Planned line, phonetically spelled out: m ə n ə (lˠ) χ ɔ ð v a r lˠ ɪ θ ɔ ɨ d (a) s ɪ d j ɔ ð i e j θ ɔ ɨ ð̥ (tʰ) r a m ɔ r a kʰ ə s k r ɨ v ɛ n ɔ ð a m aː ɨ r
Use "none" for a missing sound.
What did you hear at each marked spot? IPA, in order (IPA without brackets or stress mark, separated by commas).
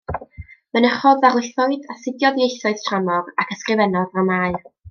none, a, tʰ